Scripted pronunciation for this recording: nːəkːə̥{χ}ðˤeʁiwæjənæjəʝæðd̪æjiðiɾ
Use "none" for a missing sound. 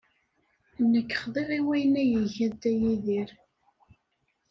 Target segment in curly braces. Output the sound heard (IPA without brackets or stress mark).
χ